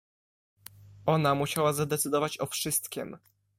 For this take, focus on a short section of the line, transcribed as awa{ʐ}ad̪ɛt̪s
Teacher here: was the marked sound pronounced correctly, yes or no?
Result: no